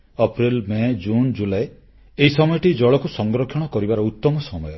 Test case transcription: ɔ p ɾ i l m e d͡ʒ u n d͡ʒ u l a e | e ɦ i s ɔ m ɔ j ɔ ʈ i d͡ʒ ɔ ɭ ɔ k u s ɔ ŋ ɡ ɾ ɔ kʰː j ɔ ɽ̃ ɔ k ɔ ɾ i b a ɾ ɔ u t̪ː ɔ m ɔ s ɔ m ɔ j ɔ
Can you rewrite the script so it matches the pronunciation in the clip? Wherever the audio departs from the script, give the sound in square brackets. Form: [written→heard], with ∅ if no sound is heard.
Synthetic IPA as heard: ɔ p ɾ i l m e d͡ʒ u n d͡ʒ u l a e | e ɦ i s ɔ m ɔ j ɔ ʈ i d͡ʒ ɔ ɭ ɔ k u s ɔ ŋ ɡ ɾ ɔ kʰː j ɔ ɽ̃ ɔ k ɔ ɾ i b a ɾ ɔ u t̪ː ɔ m ɔ s ɔ m ɔ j ɔ